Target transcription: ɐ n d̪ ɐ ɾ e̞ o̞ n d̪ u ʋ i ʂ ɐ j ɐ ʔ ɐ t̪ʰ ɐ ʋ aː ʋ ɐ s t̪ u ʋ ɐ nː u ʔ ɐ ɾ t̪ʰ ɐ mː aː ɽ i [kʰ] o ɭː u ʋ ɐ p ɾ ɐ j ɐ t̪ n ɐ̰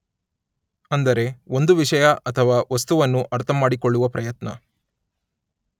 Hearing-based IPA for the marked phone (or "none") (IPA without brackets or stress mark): k